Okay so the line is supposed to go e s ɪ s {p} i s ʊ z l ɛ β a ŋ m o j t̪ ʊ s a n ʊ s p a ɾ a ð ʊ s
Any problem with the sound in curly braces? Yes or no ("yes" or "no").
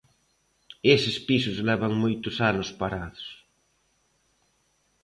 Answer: no